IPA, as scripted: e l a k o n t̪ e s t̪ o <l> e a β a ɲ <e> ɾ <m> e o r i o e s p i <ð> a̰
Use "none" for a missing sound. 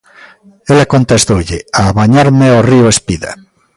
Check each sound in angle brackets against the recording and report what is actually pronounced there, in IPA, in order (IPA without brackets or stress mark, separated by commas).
ʎ, a, m, ð